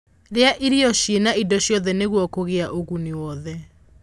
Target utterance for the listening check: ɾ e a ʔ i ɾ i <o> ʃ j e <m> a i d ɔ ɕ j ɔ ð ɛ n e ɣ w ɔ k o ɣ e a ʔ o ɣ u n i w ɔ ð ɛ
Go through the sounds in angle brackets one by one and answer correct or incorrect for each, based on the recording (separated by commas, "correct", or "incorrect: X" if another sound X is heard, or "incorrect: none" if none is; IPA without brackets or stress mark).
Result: incorrect: ɔ, incorrect: n